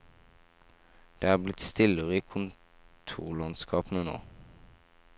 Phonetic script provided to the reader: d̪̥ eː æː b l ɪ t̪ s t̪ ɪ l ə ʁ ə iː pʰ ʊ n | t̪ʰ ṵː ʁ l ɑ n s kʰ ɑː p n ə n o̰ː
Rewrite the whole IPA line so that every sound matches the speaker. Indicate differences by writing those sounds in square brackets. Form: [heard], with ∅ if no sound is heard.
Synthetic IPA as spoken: d̪̥ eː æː b l ɪ t̪ s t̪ ɪ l ə ʁ ə iː [kʰ] ʊ n | t̪ʰ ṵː ʁ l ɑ n s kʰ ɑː p n ə n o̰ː